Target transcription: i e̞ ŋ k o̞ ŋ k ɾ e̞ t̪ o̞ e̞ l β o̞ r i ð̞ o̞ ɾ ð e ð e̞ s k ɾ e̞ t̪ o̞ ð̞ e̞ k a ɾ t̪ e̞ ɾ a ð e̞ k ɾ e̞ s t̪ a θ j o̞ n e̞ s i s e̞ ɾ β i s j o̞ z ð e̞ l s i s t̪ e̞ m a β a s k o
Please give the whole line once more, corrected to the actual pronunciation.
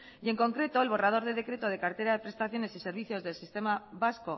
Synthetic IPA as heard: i e̞ ŋ k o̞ ŋ k ɾ e̞ t̪ o̞ e̞ l β o̞ r a ð̞ o̞ ɾ ð e ð e̞ k ɾ e̞ t̪ o̞ ð̞ e̞ k a ɾ t̪ e̞ ɾ a ð e̞ p ɾ e̞ s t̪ a θ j o̞ n e̞ s i s e̞ ɾ β i θ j o̞ z ð e̞ l s i s t̪ e̞ m a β a s k o